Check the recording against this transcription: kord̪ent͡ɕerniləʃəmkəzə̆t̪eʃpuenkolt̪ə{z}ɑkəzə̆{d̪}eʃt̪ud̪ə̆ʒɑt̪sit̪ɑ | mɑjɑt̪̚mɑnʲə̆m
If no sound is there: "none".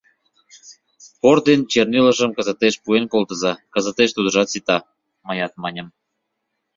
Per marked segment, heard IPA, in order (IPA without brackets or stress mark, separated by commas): z, t̪